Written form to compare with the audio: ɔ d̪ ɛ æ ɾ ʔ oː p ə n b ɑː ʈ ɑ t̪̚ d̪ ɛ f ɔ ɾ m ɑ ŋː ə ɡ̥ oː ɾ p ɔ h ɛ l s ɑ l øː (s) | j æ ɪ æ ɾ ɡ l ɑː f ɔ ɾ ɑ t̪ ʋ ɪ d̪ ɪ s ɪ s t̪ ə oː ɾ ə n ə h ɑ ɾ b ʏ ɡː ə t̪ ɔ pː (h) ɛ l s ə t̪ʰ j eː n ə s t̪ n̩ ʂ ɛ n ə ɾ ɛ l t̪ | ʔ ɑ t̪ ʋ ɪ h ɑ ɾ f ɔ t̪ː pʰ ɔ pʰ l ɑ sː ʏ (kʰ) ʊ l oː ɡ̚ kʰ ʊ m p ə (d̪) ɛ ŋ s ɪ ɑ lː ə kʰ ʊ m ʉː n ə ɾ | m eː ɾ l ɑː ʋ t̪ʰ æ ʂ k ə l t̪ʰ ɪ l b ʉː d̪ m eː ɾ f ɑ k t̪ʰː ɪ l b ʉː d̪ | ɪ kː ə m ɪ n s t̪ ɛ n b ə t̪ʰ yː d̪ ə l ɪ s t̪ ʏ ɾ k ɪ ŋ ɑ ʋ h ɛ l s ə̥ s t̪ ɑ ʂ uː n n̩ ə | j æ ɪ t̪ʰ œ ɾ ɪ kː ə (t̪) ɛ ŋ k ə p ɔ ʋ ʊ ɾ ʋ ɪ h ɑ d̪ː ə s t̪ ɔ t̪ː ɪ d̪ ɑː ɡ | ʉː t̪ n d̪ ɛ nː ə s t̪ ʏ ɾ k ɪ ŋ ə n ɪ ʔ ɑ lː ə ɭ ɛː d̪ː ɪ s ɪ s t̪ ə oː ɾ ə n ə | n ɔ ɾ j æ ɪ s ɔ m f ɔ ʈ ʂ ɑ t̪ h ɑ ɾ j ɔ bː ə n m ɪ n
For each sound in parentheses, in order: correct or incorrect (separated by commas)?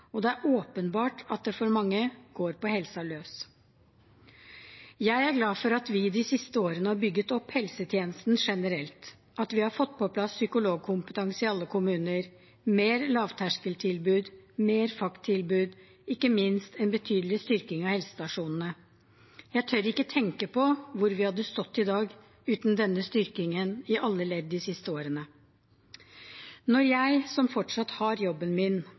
correct, correct, incorrect, incorrect, incorrect